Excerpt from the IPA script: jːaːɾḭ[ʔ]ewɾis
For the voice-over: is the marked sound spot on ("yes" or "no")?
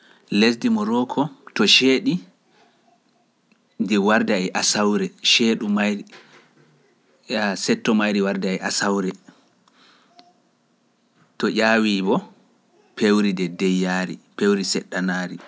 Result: no